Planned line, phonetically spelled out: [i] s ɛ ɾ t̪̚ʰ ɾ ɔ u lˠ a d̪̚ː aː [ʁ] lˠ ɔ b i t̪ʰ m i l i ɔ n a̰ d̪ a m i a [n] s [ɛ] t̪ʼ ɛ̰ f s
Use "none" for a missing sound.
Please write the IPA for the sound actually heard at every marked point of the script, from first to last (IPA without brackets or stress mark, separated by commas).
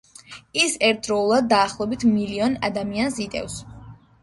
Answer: i, χ, n, i